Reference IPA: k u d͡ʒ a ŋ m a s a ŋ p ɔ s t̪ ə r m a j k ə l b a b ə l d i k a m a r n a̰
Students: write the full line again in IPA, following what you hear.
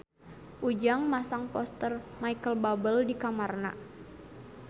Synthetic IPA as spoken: ʔ u d͡ʒ a ŋ m a s a ŋ p ɔ s t̪ ə r m a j k ə l b a b ə l d i k a m a r n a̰